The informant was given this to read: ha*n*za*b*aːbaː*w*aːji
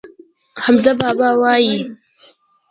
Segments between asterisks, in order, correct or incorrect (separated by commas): incorrect, correct, correct